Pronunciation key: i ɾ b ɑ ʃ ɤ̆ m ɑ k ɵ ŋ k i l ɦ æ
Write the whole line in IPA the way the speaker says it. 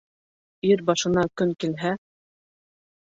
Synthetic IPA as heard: i ɾ b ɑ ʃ ɤ̆ n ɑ k ɵ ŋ k i l ɦ æ